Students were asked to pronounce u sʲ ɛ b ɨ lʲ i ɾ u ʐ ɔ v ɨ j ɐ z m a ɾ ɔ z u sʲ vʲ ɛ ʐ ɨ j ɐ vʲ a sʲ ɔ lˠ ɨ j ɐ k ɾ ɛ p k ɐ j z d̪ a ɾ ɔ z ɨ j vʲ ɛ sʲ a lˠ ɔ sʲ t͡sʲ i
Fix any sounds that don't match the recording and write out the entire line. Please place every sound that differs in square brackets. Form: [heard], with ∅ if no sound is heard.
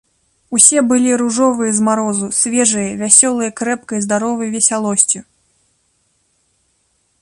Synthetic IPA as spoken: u sʲ ɛ b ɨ lʲ i ɾ u ʐ ɔ v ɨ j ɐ z m a ɾ ɔ z u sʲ vʲ ɛ ʐ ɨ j ɐ vʲ a sʲ ɔ lˠ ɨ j ɐ k ɾ ɛ p k ɐ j z d̪ a ɾ ɔ [v] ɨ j vʲ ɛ sʲ a lˠ ɔ sʲ t͡sʲ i